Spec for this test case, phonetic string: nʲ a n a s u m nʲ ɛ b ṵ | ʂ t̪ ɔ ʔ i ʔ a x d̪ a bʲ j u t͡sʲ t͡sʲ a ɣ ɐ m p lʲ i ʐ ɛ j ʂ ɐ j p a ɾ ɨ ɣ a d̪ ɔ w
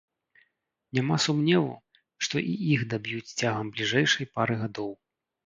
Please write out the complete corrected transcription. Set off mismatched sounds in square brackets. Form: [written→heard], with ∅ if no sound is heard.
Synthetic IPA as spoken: nʲ a [n→m] a s u m nʲ ɛ [b→v] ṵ | ʂ t̪ ɔ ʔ i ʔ [a→i] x d̪ a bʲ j u t͡sʲ t͡sʲ a ɣ ɐ m [p→b] lʲ i ʐ ɛ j ʂ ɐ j p a ɾ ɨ ɣ a d̪ ɔ w